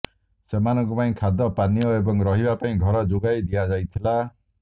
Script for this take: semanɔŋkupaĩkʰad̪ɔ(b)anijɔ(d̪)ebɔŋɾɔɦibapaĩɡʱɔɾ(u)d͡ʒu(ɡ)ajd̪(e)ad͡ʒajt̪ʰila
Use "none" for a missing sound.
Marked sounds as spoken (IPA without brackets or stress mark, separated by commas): p, none, ɔ, ɡ, i